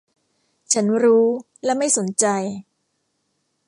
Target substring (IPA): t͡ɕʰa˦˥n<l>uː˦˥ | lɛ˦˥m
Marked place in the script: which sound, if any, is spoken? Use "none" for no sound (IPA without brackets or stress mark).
ɾ